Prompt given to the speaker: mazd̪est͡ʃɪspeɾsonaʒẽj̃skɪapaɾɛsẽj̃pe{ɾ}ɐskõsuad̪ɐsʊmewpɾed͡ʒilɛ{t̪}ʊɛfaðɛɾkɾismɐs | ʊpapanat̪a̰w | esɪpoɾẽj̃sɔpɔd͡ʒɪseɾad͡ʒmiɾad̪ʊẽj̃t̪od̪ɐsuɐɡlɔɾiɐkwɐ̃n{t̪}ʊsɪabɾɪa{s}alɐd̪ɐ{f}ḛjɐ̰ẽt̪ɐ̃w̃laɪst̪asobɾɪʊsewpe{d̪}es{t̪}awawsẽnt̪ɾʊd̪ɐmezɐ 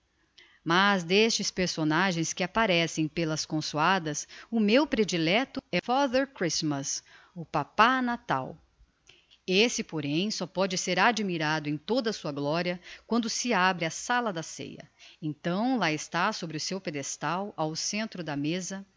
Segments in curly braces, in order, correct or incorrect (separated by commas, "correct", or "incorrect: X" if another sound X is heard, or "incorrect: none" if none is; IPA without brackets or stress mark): incorrect: l, correct, incorrect: d̪, correct, incorrect: s, correct, correct